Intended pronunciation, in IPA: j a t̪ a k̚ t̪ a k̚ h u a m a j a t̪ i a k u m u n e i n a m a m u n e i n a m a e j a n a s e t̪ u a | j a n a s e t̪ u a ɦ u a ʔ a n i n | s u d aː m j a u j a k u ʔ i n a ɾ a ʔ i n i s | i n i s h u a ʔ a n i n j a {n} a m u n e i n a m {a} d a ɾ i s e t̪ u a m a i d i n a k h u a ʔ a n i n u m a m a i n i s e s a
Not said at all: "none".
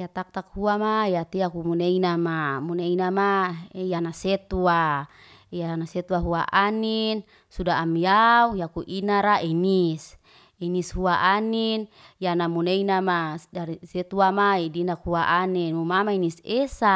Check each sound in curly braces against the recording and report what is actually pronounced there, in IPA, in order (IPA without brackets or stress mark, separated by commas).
n, a